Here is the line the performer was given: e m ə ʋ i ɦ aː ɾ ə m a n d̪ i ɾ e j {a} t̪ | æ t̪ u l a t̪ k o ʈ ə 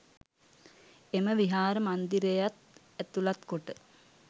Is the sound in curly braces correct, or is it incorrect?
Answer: correct